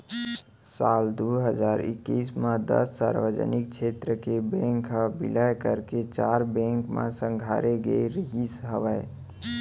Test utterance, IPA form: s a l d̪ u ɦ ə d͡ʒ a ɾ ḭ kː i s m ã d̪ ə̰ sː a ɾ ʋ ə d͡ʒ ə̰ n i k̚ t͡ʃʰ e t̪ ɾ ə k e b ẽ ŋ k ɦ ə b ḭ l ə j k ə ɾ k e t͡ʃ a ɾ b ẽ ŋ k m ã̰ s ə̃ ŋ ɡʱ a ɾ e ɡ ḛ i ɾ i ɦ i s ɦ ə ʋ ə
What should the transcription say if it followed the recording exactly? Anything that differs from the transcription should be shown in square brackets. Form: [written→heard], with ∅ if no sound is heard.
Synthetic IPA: s a l d̪ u ɦ ə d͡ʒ a ɾ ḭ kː i s m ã d̪ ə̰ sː a ɾ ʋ ə d͡ʒ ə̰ n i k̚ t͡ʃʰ e t̪ ɾ ə k e b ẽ ŋ k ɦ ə b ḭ l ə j k ə ɾ k e t͡ʃ a ɾ b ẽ ŋ k m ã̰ s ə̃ ŋ ɡʱ a ɾ e ɡ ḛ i ɾ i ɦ i s ɦ ə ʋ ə